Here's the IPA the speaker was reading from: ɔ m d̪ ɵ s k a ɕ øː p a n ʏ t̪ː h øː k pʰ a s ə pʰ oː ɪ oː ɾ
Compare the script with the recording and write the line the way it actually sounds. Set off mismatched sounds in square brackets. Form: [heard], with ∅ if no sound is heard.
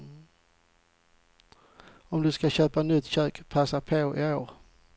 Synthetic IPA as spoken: ɔ m d̪ ɵ s k a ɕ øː p a n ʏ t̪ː [ɕ] øː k pʰ a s [a] pʰ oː ɪ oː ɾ